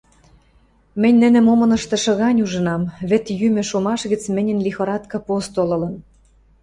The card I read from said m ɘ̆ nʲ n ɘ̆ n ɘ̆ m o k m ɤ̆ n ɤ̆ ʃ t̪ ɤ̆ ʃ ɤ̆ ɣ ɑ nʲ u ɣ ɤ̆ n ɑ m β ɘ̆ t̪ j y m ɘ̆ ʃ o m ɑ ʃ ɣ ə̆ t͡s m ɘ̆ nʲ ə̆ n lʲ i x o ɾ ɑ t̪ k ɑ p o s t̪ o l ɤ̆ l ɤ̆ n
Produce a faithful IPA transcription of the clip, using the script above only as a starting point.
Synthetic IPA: m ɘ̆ nʲ n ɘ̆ n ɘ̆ m o m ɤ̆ n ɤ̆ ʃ t̪ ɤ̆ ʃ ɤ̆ ɣ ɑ nʲ u ʒ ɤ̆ n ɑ m β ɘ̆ t̪ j y m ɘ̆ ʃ o m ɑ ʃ ɣ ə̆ t͡s m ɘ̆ nʲ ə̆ n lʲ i x o ɾ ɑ t̪ k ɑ p o s t̪ o l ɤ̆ l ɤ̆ n